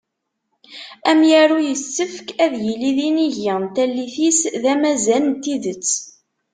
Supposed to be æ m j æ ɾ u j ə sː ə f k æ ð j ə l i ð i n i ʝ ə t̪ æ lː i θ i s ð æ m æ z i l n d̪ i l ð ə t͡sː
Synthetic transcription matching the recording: æ m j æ ɾ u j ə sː ə f k æ ð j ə l i ð i n i ʝ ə t̪ æ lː i θ i s ð æ m æ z æ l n t̪ i ð ə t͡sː